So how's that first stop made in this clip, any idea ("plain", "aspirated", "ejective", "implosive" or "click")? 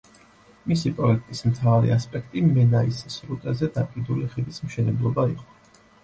ejective